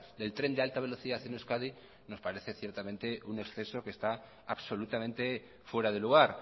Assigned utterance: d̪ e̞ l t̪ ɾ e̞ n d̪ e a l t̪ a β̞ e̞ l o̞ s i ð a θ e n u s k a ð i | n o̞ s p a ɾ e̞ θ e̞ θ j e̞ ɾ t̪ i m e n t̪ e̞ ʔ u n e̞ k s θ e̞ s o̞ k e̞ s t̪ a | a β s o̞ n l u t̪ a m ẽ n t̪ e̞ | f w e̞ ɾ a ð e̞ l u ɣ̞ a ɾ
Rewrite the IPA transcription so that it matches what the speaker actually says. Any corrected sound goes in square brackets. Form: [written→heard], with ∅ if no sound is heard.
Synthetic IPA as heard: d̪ e̞ l t̪ ɾ e̞ n d̪ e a l t̪ a β̞ e̞ l o̞ [s→θ] i ð a θ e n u s k a ð i | n o̞ s p a ɾ e̞ θ e̞ θ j e̞ ɾ t̪ [i→a] m [e→ẽ] n t̪ e̞ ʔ u n e̞ k s θ e̞ s o̞ k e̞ s t̪ a | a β s o̞ [n→∅] l u t̪ a m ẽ n t̪ e̞ | f w e̞ ɾ a ð e̞ l u ɣ̞ a ɾ

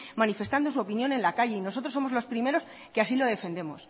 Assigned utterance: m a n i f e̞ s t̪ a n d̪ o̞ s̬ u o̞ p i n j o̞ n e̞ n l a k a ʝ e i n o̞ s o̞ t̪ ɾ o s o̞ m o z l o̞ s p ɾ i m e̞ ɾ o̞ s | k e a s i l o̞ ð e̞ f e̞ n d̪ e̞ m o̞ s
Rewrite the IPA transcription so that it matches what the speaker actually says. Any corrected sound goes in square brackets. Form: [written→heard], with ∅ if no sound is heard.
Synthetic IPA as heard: m a n i f e̞ s t̪ a n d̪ o̞ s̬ u o̞ p i n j o̞ n e̞ n l a k a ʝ e i n o̞ s o̞ t̪ ɾ o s o̞ m o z l o̞ s p ɾ i m e̞ ɾ o̞ s | k e a s i l o̞ ð e̞ f e̞ n d̪ e̞ m o̞ s

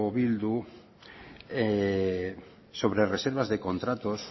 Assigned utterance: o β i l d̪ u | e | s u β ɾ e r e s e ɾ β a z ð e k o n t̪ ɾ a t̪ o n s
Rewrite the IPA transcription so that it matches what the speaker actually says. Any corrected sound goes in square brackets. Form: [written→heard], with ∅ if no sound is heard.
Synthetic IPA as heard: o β i l d̪ u | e | s [u→o] β ɾ e r e s e ɾ β a z ð e k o n t̪ ɾ a t̪ o [n→∅] s

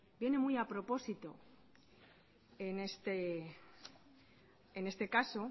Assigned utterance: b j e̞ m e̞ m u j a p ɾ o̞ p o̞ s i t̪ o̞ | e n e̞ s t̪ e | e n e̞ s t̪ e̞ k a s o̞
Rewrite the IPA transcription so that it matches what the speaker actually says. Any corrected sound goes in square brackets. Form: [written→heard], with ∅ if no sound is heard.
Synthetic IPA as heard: b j e̞ [m→n] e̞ m u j a p ɾ o̞ p o̞ s i t̪ o̞ | e n e̞ s t̪ e | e n e̞ s t̪ e̞ k a s o̞

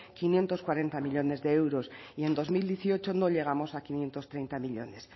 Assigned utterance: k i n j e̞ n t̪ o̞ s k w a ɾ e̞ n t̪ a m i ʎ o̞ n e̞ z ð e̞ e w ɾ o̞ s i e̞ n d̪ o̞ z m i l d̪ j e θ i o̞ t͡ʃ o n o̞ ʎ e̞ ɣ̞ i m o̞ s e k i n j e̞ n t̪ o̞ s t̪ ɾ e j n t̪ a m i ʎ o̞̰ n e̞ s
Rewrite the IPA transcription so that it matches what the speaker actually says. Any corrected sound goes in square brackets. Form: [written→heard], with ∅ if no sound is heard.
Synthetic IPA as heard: k i n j e̞ n t̪ o̞ s k w a ɾ e̞ n t̪ a m i ʎ o̞ n e̞ z ð e̞ e w ɾ o̞ s i e̞ n d̪ o̞ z m i l d̪ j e θ i o̞ t͡ʃ o n o̞ ʎ e̞ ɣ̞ [i→a] m o̞ s [e→a] k i n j e̞ n t̪ o̞ s t̪ ɾ e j n t̪ a m i ʎ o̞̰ n e̞ s

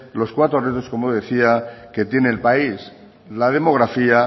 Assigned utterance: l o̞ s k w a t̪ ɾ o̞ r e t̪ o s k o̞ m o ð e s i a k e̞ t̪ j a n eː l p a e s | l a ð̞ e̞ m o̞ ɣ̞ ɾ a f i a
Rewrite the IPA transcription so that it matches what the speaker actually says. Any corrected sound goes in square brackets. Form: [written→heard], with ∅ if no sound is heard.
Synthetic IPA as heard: l o̞ s k w a t̪ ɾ o̞ r e t̪ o s k o̞ m o ð e [s→θ] i a k e̞ t̪ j [a→e] n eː l p a [e→i] s | l a ð̞ e̞ m o̞ ɣ̞ ɾ a f i a

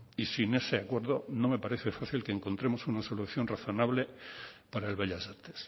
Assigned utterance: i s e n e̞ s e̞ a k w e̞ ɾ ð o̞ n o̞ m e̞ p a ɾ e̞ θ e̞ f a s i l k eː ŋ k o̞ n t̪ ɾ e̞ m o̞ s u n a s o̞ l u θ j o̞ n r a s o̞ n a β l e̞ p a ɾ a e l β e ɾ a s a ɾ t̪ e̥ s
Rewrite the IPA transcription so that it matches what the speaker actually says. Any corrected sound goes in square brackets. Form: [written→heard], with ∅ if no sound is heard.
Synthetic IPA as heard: i s [e→i] n e̞ s e̞ a k w e̞ ɾ ð o̞ n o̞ m e̞ p a ɾ e̞ θ e̞ f a [s→θ] i l k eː ŋ k o̞ n t̪ ɾ e̞ m o̞ s u n a s o̞ l u θ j o̞ n r a [s→θ] o̞ n a β l e̞ p a ɾ a e l β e [ɾ→ʎ] a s a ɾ t̪ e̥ s

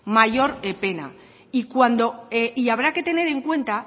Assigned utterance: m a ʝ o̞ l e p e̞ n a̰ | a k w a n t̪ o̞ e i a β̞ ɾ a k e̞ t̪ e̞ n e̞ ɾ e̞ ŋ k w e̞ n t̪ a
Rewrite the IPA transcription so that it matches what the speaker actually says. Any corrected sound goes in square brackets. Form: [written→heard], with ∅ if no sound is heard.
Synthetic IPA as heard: m a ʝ o̞ [l→ɾ] e p e̞ n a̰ | [a→i] k w a n [t̪→d̪] o̞ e i a β̞ ɾ a k e̞ t̪ e̞ n e̞ ɾ e̞ ŋ k w e̞ n t̪ a

